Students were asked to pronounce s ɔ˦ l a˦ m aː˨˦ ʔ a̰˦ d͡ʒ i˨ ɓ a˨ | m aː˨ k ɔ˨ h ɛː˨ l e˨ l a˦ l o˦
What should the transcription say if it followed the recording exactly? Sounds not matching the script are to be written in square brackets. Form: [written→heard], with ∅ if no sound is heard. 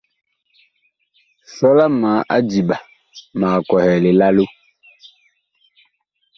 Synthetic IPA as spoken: s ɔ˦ l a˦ m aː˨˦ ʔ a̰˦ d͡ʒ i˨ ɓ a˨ | m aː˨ k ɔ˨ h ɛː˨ l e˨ l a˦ l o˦